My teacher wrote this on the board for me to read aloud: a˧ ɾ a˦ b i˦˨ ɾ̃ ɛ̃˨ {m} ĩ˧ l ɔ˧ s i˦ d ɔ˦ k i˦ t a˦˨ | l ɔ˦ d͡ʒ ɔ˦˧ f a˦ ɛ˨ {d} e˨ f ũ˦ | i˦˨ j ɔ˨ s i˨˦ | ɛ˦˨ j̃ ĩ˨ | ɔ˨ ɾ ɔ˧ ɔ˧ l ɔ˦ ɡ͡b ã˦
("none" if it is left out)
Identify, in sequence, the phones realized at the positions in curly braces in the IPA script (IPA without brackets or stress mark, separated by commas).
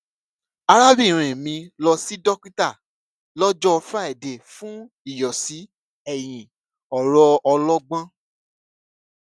m, d